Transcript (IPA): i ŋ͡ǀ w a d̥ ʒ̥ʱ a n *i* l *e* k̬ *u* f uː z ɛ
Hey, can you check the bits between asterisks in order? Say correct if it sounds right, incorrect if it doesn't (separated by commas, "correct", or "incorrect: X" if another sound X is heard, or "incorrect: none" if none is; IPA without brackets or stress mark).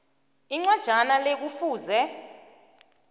incorrect: a, correct, correct